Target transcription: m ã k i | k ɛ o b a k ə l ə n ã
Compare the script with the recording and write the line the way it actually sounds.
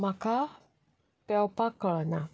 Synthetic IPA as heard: m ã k a | p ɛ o p a k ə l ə n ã